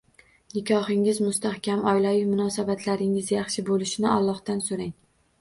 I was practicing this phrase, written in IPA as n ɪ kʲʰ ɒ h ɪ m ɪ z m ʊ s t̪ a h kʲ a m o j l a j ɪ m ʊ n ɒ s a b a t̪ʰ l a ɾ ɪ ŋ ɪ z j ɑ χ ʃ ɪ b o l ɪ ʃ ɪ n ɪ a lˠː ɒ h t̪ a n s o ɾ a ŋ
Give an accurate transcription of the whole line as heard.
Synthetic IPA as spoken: n ɪ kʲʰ ɒ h ɪ ŋ ɪ z m ʊ s t̪ a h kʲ a m ɒ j l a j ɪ m ʊ n ɒ s a b a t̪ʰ l a ɾ ɪ ŋ ɪ z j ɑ χ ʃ ɪ b o l ɪ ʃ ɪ n ɪ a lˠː ɒ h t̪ a n s o ɾ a ŋ

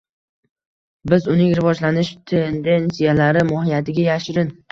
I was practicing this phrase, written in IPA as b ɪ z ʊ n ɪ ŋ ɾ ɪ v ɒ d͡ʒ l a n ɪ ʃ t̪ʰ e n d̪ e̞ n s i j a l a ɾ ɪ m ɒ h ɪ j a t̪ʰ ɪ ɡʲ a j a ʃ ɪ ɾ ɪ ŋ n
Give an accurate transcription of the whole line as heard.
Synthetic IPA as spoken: b ɪ z ʊ n ɪ ŋ ɾ ɪ v ɒ d͡ʒ l a n ɪ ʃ t̪ʰ e n d̪ e̞ n s i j a l a ɾ ɪ m ɒ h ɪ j a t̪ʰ ɪ ɡʲ a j a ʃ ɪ ɾ ɪ n

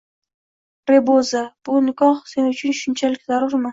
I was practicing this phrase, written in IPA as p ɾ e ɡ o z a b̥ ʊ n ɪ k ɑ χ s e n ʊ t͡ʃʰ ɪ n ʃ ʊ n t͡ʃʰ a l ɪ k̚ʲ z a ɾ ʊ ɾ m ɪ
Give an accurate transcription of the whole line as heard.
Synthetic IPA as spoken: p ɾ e b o z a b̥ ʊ n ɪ k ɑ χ s e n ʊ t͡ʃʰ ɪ n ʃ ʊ n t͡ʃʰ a l ɪ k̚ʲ z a ɾ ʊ ɾ m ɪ

